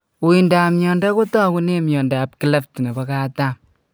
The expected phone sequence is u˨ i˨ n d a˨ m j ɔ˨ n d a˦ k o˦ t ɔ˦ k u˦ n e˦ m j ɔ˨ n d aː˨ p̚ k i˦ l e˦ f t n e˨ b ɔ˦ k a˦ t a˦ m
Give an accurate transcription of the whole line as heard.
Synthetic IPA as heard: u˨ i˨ n d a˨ m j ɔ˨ n d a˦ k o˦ t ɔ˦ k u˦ n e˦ m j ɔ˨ n d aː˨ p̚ k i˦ l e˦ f t n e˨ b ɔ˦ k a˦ t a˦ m